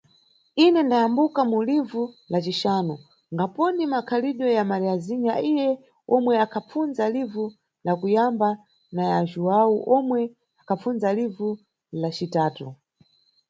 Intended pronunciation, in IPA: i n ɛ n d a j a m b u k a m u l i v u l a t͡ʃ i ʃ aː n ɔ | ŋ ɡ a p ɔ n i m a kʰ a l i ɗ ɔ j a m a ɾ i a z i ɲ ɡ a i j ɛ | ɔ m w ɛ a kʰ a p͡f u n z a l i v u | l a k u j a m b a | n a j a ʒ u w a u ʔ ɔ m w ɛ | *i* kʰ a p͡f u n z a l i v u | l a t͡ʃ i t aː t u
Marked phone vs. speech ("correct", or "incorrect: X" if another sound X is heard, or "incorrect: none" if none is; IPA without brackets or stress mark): incorrect: a